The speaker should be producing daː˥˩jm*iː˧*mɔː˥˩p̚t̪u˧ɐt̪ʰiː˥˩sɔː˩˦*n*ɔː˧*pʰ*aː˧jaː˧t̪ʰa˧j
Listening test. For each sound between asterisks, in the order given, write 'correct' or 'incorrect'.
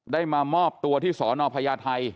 incorrect: aː˧, correct, correct

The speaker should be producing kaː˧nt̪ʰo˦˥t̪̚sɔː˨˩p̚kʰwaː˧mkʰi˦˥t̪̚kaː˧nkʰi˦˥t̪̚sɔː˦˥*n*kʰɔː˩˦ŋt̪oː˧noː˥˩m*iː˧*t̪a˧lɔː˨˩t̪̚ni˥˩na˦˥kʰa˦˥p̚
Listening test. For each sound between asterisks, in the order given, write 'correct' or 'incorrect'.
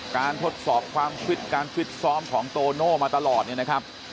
incorrect: m, incorrect: aː˧

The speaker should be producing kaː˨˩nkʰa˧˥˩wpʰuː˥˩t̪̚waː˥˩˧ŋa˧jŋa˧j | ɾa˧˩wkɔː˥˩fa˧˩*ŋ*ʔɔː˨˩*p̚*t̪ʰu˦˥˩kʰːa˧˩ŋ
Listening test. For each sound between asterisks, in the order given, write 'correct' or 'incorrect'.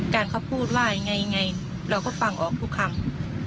correct, incorrect: k̚

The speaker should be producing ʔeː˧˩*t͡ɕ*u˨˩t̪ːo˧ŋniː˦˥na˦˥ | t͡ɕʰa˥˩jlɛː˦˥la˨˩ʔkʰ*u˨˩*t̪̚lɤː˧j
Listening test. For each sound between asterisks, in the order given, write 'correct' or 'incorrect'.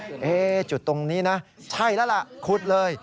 correct, correct

